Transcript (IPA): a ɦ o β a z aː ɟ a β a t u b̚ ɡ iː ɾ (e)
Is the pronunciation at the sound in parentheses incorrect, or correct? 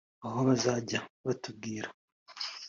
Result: incorrect: a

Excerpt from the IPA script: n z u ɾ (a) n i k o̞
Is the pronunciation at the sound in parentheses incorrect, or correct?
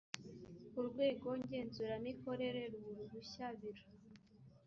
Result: correct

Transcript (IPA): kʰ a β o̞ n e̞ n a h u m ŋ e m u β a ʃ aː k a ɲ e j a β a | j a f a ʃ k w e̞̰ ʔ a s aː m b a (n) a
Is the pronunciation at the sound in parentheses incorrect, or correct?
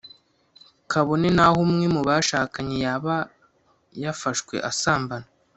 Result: correct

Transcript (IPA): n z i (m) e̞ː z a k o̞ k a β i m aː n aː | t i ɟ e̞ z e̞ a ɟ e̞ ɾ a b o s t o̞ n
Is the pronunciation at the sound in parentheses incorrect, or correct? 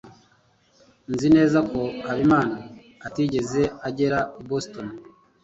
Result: incorrect: n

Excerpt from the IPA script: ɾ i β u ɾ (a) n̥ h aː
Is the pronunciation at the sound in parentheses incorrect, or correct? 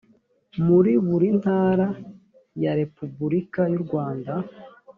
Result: incorrect: i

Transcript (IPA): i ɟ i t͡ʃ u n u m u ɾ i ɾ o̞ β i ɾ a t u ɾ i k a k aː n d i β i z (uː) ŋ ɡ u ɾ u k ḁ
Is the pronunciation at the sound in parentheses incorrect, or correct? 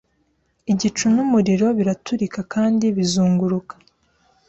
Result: correct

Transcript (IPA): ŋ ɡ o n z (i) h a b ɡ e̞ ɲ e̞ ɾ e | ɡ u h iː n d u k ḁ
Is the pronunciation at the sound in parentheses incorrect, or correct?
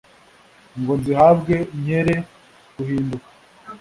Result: correct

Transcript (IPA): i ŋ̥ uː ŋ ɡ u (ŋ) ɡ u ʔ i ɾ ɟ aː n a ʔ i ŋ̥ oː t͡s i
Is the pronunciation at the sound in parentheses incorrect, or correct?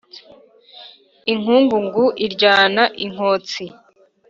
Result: correct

